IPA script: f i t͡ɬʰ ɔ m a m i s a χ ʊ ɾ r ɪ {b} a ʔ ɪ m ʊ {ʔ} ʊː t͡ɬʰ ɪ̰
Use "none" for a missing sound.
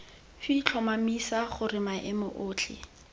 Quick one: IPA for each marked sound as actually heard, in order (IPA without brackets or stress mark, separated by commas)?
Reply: m, ʔ